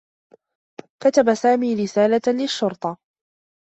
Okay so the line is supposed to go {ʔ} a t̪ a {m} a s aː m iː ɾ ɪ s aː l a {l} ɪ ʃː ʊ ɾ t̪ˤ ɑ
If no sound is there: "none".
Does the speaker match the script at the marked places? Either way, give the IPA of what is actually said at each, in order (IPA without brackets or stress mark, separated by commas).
k, b, l